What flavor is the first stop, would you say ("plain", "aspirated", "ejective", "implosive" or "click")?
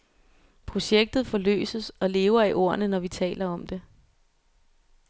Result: aspirated